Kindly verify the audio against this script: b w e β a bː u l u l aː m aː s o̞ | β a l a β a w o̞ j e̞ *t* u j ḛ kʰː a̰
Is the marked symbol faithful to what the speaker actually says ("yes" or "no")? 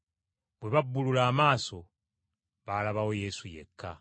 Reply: no